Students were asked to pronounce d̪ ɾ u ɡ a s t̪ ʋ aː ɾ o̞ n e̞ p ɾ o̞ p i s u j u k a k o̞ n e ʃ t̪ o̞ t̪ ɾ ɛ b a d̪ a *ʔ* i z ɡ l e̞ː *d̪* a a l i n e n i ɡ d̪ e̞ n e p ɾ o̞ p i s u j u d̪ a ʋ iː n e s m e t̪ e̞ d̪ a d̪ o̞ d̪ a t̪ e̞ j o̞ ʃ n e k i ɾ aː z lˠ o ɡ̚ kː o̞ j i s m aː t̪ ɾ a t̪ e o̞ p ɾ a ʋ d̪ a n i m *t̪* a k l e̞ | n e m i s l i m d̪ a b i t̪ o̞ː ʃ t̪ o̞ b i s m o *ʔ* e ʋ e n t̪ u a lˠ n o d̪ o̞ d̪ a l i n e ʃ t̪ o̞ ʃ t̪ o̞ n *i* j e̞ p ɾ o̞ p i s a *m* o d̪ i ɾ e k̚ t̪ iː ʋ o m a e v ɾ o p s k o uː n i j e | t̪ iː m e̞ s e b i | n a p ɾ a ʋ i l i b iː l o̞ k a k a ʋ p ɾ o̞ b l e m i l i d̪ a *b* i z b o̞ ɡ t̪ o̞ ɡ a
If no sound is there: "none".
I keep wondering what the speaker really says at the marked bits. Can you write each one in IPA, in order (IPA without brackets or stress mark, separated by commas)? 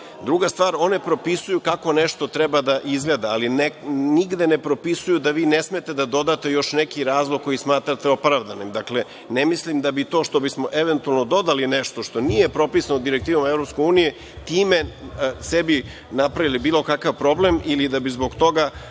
ʔ, d̪, d̪, ʔ, i, n, b